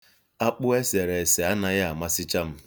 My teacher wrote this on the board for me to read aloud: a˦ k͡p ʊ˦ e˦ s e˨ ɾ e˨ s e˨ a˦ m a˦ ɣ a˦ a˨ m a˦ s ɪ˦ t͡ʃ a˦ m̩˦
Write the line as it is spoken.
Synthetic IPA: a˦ k͡p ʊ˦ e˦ s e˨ ɾ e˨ s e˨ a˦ n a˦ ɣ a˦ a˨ m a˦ s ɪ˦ t͡ʃ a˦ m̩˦